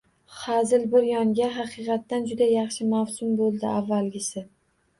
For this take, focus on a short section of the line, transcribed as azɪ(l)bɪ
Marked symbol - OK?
yes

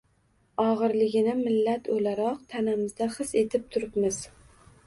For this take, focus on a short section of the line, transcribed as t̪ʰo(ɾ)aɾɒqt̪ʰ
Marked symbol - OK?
no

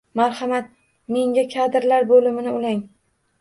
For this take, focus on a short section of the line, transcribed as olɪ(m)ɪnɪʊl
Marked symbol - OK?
yes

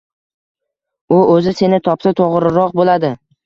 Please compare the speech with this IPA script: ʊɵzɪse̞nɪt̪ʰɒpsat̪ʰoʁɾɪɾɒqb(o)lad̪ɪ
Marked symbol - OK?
yes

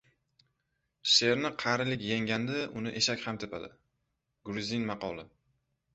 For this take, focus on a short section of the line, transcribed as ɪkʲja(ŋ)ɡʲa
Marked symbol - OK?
yes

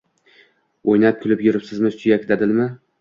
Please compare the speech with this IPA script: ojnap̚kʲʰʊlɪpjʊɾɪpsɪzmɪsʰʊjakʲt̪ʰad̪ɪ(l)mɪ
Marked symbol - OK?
yes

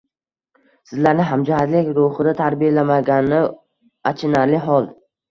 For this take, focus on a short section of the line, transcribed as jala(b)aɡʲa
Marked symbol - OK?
no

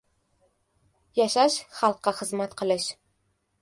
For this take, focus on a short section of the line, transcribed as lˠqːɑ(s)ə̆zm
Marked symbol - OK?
no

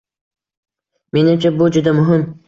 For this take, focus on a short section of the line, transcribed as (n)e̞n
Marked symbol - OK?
no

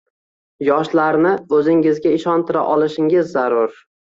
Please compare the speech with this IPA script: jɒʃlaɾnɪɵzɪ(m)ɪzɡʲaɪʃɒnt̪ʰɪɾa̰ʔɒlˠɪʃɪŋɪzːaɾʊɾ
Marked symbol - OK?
no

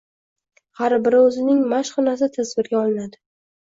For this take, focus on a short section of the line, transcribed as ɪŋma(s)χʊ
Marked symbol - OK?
no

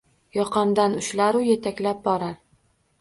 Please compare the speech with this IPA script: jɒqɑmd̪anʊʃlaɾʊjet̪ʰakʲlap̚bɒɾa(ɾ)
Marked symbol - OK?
yes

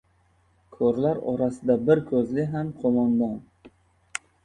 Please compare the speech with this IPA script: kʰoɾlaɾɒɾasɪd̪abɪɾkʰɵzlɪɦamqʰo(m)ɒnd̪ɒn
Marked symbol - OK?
yes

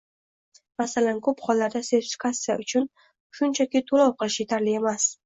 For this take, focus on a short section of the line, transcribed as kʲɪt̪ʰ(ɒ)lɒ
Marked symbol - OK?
no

